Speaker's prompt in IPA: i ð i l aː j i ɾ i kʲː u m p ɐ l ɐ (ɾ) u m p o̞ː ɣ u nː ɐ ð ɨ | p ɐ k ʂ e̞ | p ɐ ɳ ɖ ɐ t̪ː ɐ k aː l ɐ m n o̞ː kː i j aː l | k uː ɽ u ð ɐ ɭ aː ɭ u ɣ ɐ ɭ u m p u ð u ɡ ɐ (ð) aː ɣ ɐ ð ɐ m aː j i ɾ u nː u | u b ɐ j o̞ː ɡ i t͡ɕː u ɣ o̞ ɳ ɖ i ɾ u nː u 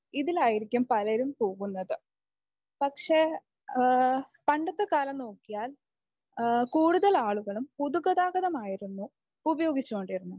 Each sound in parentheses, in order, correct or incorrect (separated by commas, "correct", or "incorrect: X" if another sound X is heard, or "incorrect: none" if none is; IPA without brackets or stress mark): correct, correct